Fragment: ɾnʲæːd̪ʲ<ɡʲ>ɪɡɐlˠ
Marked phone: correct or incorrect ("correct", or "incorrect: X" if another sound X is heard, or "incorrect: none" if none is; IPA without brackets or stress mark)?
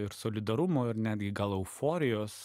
correct